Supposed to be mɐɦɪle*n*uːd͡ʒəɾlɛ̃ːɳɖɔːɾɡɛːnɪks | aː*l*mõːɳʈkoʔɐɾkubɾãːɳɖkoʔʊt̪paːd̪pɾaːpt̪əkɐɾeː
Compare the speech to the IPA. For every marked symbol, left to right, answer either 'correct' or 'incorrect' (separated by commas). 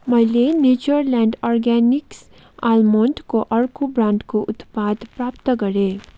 correct, correct